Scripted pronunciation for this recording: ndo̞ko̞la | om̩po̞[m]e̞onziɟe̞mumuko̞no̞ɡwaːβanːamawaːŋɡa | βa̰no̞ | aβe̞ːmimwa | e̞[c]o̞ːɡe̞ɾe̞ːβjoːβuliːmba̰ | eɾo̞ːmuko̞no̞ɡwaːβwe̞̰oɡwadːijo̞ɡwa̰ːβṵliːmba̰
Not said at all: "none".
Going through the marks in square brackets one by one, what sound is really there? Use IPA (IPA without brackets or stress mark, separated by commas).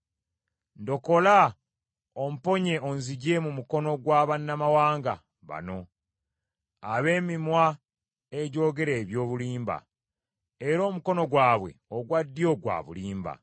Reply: ɲ, ɟ